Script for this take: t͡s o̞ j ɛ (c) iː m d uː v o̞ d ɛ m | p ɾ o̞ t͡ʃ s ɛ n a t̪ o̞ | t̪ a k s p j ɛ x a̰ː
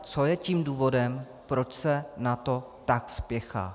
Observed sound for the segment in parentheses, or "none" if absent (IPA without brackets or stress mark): c